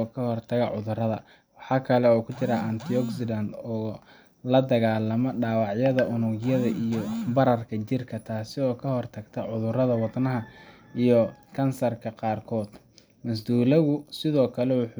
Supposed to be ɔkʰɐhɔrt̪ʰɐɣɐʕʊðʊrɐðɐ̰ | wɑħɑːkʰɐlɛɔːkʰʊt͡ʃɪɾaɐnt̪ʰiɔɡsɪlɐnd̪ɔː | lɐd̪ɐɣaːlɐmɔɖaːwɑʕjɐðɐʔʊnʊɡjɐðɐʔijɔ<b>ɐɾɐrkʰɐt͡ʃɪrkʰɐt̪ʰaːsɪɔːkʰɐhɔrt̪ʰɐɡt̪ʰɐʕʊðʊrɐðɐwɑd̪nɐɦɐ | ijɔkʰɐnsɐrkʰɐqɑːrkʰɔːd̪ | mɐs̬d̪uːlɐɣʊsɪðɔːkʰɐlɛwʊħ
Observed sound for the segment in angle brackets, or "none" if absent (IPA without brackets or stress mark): b